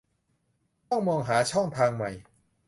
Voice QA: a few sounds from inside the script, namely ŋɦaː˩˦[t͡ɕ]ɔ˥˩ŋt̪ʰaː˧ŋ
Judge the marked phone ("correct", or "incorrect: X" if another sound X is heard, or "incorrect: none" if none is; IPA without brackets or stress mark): incorrect: t͡ɕʰ